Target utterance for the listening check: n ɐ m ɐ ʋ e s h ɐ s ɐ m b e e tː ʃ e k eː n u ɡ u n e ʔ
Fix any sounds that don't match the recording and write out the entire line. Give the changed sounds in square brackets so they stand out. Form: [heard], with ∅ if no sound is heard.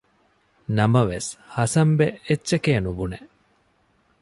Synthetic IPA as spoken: n ɐ m ɐ ʋ e s h ɐ s ɐ m b e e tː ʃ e k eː n u [b] u n e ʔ